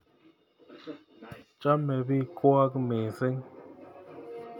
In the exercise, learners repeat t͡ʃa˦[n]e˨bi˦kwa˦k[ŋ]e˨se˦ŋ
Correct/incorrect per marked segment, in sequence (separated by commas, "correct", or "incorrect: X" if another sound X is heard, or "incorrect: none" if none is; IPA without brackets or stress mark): incorrect: m, incorrect: m